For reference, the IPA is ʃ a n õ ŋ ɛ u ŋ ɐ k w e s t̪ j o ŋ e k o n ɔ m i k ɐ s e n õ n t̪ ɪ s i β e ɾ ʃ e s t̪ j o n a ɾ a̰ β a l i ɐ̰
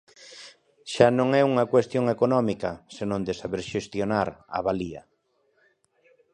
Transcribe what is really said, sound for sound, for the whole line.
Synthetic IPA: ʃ a n õ ŋ ɛ u ŋ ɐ k w e s t̪ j o ŋ e k o n ɔ m i k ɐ s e n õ n d̪ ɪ s a β e ɾ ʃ e s t̪ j o n a ɾ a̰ β a l i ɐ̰